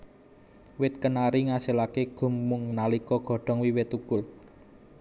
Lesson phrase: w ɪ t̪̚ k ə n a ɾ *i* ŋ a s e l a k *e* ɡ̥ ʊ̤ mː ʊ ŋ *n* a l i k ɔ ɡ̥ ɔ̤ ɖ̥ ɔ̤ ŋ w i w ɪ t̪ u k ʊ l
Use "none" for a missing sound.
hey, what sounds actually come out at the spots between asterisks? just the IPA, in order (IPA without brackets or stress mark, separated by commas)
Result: i, e, n